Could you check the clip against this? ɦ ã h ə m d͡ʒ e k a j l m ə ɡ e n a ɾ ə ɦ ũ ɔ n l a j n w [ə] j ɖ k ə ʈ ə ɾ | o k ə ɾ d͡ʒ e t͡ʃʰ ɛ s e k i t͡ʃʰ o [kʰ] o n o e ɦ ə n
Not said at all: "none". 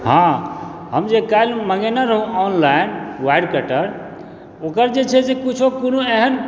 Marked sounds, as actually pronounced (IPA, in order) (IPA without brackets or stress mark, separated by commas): a, k